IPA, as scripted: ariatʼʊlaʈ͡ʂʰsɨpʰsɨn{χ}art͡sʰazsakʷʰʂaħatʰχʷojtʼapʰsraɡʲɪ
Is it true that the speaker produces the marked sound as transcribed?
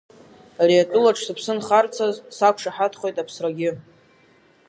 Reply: yes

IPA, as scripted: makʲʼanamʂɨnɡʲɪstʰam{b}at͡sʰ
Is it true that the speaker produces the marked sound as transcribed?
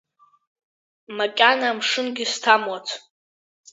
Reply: no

